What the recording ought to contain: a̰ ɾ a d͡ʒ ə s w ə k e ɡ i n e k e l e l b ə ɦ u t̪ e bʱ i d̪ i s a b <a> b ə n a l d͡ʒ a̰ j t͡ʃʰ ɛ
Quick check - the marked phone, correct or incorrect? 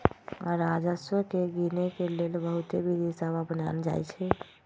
correct